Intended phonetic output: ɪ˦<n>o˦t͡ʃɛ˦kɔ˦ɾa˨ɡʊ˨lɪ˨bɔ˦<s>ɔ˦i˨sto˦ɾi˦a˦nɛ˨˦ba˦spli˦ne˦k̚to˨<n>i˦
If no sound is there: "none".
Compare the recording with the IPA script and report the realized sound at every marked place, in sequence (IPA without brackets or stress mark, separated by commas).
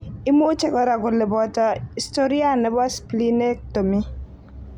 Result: m, t, m